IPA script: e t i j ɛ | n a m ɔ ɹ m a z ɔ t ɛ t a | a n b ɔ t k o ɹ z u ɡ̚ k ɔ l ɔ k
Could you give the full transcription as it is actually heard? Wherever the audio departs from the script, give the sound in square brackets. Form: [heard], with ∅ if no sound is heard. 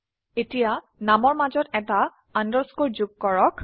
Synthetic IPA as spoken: e t i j [a] | n a m ɔ ɹ m a z ɔ t ɛ t a | a n [d] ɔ [s] k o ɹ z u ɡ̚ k ɔ [ɹ] ɔ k